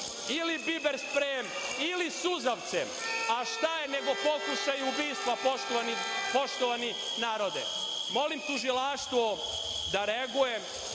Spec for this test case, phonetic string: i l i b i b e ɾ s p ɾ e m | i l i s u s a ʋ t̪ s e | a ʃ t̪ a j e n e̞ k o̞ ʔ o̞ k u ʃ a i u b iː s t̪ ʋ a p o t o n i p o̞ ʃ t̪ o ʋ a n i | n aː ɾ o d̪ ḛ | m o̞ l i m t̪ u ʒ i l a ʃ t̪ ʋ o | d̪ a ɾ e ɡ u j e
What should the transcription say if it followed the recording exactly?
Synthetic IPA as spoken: i l i b i b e ɾ s p ɾ e m | i l i s u z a ʋ t̪ s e | a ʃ t̪ a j e n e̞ ɡ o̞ p o̞ k u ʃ a j u b iː s t̪ ʋ a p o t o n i p o̞ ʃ t̪ o ʋ a n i | n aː ɾ o d̪ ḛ | m o̞ l i m t̪ u ʒ i l a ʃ t̪ ʋ o | d̪ a ɾ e ɡ u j e